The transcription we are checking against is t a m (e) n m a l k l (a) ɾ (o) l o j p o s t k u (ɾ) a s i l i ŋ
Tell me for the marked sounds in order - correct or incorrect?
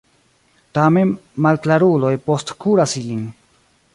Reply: correct, correct, incorrect: u, correct

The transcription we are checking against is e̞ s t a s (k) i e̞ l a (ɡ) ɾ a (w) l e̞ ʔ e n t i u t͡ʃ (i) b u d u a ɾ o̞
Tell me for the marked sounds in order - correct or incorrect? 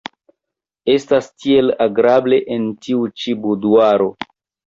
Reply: incorrect: t, correct, incorrect: b, correct

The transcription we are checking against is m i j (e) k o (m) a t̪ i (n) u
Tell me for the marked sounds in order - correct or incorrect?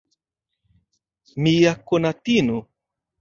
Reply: incorrect: a, incorrect: n, correct

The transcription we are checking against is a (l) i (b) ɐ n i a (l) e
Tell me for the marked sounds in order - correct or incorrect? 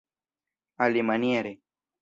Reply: correct, incorrect: m, incorrect: ɾ

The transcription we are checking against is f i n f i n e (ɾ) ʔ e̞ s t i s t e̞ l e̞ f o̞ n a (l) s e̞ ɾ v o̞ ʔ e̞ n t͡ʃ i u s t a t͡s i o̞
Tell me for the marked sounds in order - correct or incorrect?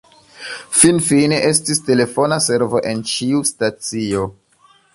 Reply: incorrect: none, incorrect: none

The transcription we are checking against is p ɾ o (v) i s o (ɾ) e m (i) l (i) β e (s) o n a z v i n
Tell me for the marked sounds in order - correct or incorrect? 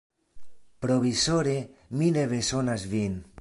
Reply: incorrect: β, correct, correct, incorrect: e, correct

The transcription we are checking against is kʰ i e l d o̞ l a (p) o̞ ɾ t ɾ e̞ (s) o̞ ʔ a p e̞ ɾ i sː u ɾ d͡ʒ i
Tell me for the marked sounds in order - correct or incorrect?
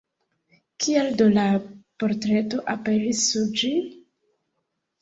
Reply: correct, incorrect: t

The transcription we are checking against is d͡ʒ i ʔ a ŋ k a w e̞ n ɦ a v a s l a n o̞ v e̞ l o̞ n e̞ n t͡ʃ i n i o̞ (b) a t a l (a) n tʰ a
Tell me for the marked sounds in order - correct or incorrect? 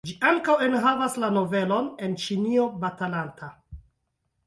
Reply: correct, correct

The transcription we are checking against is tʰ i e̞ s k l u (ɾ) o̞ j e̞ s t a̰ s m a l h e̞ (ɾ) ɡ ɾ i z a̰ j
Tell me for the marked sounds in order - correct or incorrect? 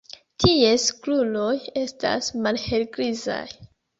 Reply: incorrect: l, incorrect: l

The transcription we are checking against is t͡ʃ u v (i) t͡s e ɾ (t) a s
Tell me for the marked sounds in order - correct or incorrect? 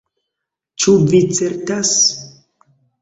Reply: correct, correct

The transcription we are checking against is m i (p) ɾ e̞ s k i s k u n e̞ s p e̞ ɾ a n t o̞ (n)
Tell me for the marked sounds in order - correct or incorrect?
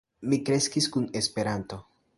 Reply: incorrect: k, incorrect: none

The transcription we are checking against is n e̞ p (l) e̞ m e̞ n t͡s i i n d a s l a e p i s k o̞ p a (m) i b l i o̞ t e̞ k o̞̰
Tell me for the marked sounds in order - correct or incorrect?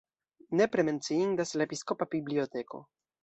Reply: incorrect: ɾ, incorrect: b

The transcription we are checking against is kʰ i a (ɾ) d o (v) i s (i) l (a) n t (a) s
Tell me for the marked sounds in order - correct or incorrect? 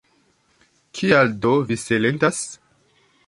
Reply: incorrect: l, correct, incorrect: e, incorrect: e, correct

